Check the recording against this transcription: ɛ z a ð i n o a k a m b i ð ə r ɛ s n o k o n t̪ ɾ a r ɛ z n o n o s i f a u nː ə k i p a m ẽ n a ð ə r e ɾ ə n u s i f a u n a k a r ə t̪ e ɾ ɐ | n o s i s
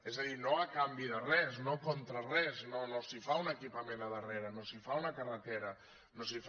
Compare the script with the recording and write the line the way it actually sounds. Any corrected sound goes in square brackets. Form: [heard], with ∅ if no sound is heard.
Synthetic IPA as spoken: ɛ z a ð i n o a k a m b i ð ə r ɛ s n o k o n t̪ ɾ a r ɛ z n o n o s i f a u [n] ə k i p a m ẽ n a ð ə r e ɾ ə n [o] s i f a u n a k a r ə t̪ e ɾ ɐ | n o s i [f]

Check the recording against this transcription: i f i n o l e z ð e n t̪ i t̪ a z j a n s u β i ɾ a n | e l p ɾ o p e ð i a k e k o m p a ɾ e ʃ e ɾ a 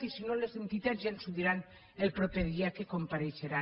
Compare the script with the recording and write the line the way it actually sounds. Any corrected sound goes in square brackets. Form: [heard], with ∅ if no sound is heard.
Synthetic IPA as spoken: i [s] i n o l e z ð e n t̪ i t̪ a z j a n s u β i ɾ a n | e l p ɾ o p e ð i a k e k o m p a ɾ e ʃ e ɾ a

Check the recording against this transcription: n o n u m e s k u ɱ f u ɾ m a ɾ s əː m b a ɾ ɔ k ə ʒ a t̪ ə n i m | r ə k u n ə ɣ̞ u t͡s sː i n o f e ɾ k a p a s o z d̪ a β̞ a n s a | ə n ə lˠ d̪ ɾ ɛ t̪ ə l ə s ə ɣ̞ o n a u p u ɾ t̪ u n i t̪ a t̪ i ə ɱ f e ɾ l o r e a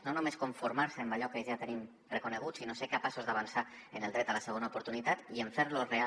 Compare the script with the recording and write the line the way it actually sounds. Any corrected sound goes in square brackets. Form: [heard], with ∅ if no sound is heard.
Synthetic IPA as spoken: n o n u m e s k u ɱ f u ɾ m a ɾ s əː m b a [ʎ] ɔ k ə ʒ a t̪ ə n i m | r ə k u n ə ɣ̞ u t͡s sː i n o [s] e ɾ k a p a s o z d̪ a β̞ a n s a | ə n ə lˠ d̪ ɾ ɛ t̪ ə l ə s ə ɣ̞ o n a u p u ɾ t̪ u n i t̪ a t̪ i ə ɱ f e ɾ l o r e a

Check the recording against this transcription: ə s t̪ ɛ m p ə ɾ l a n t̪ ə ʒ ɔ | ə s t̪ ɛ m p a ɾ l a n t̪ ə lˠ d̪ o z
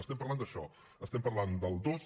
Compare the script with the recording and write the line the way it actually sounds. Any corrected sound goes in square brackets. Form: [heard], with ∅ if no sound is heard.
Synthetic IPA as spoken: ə s t̪ ɛ m p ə ɾ l a n [d̪] ə [ʃ] ɔ | ə s t̪ ɛ m p [ə] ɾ l a n [d̪] ə lˠ d̪ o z

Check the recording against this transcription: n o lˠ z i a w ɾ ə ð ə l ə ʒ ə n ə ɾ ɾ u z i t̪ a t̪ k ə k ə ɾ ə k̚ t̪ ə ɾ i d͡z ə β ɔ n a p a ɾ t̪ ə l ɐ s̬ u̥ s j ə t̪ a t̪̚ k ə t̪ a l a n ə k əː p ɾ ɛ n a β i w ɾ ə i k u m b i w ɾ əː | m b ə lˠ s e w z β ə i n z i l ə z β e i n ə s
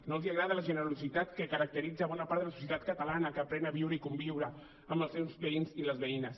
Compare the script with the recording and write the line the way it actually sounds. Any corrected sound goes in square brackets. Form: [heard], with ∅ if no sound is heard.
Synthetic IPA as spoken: n o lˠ z i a [ɣ] ɾ [a] ð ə l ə ʒ ə n ə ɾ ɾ u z i t̪ a t̪ k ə k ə ɾ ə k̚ t̪ ə ɾ i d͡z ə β ɔ n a p a ɾ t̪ ə l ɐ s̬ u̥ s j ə t̪ a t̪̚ k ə t̪ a l a n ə k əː p ɾ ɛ n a β i w ɾ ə i k u m b i w ɾ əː | m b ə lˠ s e w z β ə i n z i l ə z β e i n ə s

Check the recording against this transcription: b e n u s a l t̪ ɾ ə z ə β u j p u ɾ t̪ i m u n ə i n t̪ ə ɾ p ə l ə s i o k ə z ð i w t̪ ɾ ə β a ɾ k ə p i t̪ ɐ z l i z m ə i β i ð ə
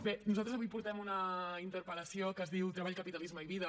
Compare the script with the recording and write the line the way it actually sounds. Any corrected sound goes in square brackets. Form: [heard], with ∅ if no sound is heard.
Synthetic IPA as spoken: b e n u [z] a l t̪ ɾ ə z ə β u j p u ɾ t̪ [ɛ] m u n ə i n t̪ ə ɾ p ə l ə s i o k ə z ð i w t̪ ɾ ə β a [ʎ] k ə p i t̪ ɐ [∅] l i z m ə i β i ð ə

